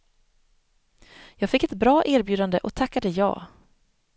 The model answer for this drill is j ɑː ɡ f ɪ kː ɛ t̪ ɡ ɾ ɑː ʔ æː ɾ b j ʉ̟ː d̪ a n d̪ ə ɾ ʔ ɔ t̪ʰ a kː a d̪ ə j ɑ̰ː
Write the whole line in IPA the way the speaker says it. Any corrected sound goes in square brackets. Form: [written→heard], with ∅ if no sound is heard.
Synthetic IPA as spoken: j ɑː ɡ f ɪ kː ɛ t̪ [ɡ→b] ɾ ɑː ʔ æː ɾ b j ʉ̟ː d̪ a n d̪ ə [ɾ→∅] ʔ ɔ t̪ʰ a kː a d̪ ə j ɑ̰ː